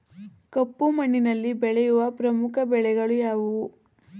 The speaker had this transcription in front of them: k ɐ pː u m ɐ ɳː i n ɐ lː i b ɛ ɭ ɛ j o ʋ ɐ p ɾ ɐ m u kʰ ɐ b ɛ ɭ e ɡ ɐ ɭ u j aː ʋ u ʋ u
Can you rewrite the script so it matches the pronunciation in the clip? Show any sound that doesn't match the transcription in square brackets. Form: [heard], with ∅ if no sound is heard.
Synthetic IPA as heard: k ɐ pː u m ɐ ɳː i n ɐ lː i b ɛ ɭ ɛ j [u] ʋ ɐ p ɾ ɐ m u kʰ ɐ b ɛ ɭ [ɛ] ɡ ɐ ɭ u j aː ʋ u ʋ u